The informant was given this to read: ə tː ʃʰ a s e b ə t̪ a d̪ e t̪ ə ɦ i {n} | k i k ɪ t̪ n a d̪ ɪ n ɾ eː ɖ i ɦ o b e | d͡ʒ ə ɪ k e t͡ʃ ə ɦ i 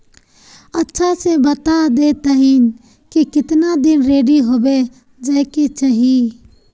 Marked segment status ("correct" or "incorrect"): correct